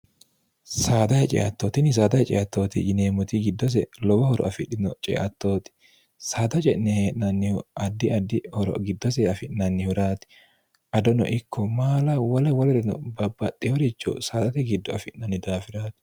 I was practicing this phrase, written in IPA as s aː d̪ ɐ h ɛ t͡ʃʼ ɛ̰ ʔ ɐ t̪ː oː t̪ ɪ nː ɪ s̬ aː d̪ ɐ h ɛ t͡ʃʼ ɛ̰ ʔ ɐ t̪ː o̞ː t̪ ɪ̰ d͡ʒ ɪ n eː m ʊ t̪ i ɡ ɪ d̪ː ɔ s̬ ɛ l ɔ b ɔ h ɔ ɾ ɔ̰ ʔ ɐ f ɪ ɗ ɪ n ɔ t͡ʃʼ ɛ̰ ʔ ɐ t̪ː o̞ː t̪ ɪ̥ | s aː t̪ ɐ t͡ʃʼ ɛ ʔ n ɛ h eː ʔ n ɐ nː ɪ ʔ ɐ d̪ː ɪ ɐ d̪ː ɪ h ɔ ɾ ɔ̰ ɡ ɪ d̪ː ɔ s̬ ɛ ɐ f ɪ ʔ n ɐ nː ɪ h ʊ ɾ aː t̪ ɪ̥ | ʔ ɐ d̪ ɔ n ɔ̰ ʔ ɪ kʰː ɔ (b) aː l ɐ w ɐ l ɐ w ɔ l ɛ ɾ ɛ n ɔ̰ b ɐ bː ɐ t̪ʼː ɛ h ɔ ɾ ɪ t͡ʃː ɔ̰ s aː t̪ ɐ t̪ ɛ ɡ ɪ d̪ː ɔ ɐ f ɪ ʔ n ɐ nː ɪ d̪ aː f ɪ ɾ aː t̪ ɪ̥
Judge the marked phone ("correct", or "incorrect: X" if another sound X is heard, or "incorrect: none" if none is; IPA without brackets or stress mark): incorrect: m